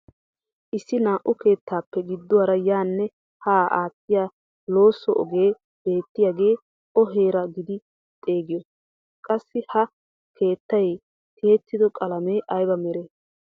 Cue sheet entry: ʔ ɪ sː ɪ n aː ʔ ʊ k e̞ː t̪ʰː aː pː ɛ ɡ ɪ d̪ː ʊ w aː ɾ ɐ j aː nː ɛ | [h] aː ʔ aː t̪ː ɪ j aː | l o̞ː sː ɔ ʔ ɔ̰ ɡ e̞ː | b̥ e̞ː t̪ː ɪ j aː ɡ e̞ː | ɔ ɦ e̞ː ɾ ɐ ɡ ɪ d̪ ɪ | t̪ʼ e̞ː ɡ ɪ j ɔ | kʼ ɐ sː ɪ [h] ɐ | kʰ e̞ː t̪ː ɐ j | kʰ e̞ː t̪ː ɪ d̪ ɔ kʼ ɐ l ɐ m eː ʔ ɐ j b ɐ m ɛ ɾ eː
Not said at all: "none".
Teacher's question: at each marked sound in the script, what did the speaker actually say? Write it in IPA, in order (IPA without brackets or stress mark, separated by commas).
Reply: h, h